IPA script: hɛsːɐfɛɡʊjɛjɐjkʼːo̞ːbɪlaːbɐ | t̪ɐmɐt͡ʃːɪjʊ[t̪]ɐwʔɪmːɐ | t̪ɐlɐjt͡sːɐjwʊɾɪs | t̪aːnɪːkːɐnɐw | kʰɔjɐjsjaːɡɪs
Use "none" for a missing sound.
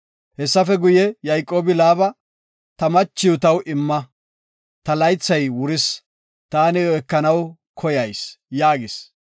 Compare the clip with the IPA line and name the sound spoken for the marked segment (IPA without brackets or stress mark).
t̪